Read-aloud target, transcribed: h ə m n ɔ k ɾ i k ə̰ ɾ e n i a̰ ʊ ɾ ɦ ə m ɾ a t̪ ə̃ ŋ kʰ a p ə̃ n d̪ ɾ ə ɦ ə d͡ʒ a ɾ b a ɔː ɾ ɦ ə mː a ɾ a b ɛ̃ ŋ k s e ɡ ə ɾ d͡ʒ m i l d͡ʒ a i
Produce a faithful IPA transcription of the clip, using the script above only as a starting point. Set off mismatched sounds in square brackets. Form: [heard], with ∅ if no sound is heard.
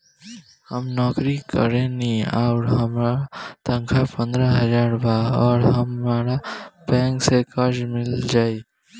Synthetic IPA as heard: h ə m n ɔ k ɾ i k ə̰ ɾ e n i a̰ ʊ ɾ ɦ ə m ɾ a t̪ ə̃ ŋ kʰ a p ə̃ n d̪ ɾ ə ɦ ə d͡ʒ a ɾ b a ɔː ɾ ɦ ə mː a ɾ a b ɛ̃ ŋ k s e [k] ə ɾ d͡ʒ m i l d͡ʒ a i